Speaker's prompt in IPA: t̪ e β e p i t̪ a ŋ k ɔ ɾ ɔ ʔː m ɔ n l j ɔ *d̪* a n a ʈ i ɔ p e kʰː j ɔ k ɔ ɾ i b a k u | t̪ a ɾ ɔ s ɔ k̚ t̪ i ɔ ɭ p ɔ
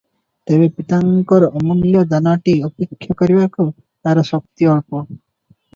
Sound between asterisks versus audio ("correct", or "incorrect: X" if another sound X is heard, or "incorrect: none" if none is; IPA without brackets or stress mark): correct